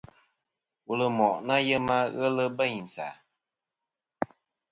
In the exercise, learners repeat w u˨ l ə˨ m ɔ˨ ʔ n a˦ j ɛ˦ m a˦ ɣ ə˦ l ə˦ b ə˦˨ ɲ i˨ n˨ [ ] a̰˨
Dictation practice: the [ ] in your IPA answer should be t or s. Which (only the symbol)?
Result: s